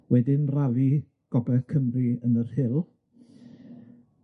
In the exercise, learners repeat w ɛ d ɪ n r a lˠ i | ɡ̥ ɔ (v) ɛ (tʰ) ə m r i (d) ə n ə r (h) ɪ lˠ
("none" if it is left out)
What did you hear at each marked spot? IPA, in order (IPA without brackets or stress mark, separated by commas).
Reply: b, kʰ, none, h